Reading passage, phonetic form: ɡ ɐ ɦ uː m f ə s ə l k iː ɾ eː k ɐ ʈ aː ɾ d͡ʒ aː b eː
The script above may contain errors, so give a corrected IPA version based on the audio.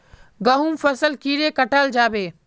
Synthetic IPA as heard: ɡ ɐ ɦ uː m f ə s ə l k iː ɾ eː k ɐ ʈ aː l d͡ʒ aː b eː